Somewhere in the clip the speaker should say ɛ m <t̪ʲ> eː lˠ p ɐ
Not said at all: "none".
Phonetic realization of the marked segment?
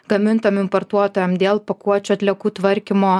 d̪ʲ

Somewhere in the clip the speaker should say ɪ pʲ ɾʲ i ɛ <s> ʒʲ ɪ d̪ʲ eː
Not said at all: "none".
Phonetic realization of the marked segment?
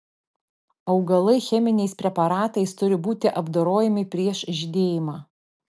ʃ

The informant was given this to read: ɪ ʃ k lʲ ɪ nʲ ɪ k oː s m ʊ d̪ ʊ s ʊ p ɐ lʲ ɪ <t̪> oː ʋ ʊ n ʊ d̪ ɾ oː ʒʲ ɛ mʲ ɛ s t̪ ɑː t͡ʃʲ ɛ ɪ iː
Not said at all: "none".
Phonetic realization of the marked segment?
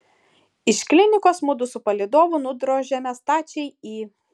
d̪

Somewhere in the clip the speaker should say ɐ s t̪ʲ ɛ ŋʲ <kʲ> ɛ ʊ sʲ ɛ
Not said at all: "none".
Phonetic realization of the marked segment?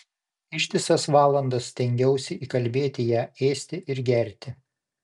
ɡʲ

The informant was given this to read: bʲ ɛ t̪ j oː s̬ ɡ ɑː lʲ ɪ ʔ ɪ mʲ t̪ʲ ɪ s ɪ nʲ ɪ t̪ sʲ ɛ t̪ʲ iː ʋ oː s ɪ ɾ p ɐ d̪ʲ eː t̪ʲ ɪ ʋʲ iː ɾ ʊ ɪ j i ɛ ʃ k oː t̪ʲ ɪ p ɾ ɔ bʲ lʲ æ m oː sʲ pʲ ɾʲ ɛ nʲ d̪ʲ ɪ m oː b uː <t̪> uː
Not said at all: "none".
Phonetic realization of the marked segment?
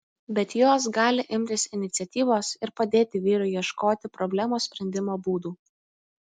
d̪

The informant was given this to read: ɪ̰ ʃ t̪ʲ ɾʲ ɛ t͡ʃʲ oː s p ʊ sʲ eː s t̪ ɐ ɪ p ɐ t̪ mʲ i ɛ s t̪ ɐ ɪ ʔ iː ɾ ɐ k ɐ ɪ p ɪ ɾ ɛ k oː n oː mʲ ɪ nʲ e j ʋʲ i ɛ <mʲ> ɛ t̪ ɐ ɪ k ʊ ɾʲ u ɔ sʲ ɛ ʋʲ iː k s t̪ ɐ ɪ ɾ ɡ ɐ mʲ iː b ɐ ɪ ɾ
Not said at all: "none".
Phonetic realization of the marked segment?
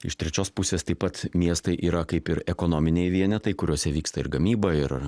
nʲ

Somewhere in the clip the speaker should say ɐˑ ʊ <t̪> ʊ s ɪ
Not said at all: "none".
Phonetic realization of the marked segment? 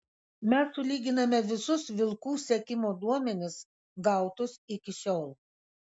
t̪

